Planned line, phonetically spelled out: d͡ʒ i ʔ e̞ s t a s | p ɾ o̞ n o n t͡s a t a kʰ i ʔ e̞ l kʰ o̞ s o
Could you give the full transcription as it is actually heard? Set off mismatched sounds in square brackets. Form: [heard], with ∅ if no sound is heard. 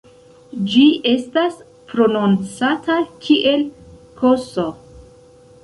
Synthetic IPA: d͡ʒ i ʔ e̞ s t a s | p ɾ o̞ n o n t͡s a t a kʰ i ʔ e̞ l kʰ o̞ s o